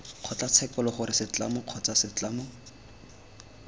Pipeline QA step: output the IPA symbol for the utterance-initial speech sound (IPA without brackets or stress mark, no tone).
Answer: q͡χʰ